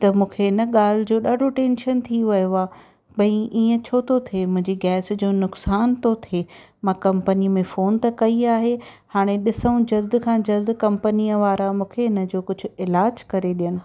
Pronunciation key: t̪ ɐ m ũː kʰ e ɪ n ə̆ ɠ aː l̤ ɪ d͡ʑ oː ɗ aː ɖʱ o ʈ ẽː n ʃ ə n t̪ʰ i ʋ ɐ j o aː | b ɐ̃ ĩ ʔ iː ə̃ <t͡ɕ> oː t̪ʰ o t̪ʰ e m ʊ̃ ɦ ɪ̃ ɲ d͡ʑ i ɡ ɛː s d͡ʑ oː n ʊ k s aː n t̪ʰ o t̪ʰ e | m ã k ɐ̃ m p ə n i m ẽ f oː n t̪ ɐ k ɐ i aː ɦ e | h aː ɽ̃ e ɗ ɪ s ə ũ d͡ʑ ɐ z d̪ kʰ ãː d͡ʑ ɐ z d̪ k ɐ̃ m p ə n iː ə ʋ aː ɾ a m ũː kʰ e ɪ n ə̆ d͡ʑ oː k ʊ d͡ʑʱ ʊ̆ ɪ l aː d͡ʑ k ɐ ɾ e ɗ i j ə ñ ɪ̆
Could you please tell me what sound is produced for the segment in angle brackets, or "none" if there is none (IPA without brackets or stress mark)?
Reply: t͡ɕʰ